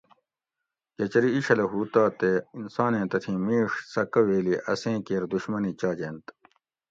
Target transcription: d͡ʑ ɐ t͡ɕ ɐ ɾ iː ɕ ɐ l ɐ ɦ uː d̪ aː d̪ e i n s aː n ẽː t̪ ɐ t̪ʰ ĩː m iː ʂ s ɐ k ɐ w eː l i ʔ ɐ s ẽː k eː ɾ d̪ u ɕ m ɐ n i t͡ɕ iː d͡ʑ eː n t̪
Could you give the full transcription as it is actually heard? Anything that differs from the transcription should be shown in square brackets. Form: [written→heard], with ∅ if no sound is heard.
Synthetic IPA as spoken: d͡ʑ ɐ t͡ɕ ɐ ɾ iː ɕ ɐ l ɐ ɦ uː [d̪→t̪] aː [d̪→t̪] e i n s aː n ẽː t̪ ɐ t̪ʰ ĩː m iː ʂ s ɐ k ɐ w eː l i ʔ ɐ s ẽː k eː ɾ d̪ u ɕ m ɐ n i t͡ɕ [iː→aː] d͡ʑ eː n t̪